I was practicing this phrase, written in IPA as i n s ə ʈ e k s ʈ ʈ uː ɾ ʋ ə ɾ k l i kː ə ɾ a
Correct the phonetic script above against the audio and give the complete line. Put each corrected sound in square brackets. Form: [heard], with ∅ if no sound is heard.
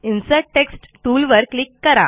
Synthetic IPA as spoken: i n s ə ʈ e k s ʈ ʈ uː [l] ʋ ə ɾ k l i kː ə ɾ a

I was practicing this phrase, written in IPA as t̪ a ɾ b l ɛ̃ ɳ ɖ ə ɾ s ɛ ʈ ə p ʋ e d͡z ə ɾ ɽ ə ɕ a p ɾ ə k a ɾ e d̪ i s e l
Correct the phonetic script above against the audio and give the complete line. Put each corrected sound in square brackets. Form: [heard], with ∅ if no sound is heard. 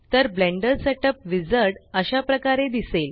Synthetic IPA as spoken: t̪ [ə] ɾ b l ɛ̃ ɳ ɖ ə ɾ s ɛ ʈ ə p ʋ [i] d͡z ə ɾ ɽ ə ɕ a p ɾ ə k a ɾ e d̪ i s e l

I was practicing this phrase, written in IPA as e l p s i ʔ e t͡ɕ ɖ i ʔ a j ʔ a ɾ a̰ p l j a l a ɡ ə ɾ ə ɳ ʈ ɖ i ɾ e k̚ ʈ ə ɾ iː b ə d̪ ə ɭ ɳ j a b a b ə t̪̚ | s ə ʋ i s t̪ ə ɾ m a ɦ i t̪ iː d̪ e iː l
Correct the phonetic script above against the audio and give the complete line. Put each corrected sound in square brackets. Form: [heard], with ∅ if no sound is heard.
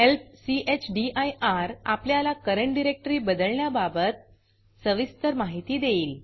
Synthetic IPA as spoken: e l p s i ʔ e t͡ɕ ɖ i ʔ a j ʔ a ɾ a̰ p l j a l a [k] ə ɾ ə ɳ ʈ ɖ i ɾ e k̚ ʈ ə ɾ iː b ə d̪ ə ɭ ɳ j a b a b ə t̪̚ | s ə ʋ i s t̪ ə ɾ m a ɦ i t̪ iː d̪ e iː l

